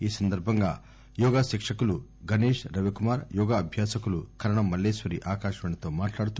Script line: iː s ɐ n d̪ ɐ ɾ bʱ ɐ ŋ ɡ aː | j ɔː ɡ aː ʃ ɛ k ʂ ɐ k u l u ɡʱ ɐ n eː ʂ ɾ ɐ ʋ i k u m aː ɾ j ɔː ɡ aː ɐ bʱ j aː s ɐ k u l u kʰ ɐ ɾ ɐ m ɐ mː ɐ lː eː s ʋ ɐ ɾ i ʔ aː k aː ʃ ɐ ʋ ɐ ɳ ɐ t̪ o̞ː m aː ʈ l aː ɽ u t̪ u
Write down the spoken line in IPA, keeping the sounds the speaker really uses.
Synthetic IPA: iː s ɐ n d̪ ɐ ɾ bʱ ɐ ŋ ɡ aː | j ɔː ɡ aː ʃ i k ʂ ɐ k u l u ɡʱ ɐ n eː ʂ ɾ ɐ ʋ i k u m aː ɾ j ɔː ɡ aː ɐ bʱ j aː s ɐ k u l u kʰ ɐ ɾ ɐ ɳ ɐ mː ɐ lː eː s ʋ ɐ ɾ i ʔ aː k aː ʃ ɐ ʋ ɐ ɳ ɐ t̪ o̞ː m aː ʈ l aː ɽ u t̪ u